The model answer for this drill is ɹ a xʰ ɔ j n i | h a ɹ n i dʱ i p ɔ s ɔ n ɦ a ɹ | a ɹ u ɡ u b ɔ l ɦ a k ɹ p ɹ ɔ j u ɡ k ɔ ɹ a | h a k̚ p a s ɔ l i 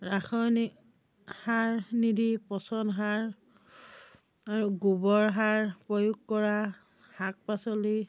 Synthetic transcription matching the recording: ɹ a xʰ ɔ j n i | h a ɹ n i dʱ i p ɔ s ɔ n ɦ a ɹ | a ɹ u ɡ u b ɔ ɹ ɦ a ɹ p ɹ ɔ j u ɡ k ɔ ɹ a | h a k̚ p a s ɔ l i

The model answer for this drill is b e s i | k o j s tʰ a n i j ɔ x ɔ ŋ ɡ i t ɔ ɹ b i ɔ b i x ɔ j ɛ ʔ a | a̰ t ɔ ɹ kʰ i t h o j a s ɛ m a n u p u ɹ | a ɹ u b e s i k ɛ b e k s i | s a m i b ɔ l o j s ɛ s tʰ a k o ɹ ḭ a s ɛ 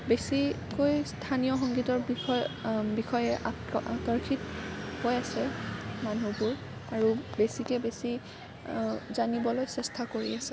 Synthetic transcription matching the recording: b e s i | k o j s tʰ a n i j ɔ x ɔ ŋ ɡ i t ɔ ɹ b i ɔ b i x ɔ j ɛ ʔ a | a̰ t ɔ ɹ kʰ i t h o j a s ɛ m a n u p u ɹ | a ɹ u b e s i k ɛ b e s i | z a n i b ɔ l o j s ɛ s tʰ a k o ɹ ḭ a s ɛ

